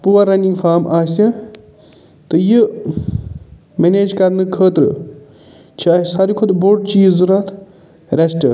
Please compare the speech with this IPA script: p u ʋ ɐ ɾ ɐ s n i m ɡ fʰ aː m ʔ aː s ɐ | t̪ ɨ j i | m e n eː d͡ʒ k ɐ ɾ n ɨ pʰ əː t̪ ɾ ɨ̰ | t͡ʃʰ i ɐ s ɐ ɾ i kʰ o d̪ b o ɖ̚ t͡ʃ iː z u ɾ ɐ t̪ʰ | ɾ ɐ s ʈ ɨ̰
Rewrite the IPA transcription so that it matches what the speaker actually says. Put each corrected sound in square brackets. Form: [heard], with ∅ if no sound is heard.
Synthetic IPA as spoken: p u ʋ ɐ ɾ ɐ [∅] n i [ŋ] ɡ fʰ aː m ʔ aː s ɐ | t̪ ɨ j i | m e n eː d͡ʒ k ɐ ɾ n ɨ [kʰ] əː t̪ ɾ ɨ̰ | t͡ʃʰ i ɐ s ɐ ɾ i kʰ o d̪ b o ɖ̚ t͡ʃ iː z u ɾ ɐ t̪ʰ | ɾ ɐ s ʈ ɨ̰